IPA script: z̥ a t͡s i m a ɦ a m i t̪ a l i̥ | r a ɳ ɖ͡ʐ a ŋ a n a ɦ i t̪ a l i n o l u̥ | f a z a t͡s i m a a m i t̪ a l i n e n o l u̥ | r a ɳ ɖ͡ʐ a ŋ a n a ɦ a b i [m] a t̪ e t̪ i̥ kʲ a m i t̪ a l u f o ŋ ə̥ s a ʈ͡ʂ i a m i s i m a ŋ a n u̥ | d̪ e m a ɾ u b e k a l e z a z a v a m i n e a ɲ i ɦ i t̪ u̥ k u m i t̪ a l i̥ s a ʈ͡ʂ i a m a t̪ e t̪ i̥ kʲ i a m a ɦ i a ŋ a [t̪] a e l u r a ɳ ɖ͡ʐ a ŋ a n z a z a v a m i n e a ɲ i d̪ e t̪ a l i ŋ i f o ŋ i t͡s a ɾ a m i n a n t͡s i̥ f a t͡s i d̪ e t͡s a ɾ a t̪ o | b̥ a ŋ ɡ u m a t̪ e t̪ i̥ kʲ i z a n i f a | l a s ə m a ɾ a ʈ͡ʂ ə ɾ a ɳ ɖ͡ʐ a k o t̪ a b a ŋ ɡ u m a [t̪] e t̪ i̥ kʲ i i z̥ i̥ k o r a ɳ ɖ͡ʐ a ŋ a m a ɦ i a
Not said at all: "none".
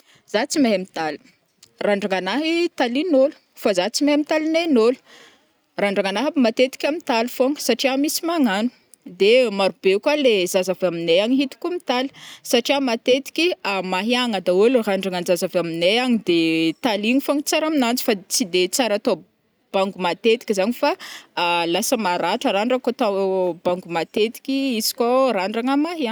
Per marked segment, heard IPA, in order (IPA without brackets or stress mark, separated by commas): m, d̪, t̪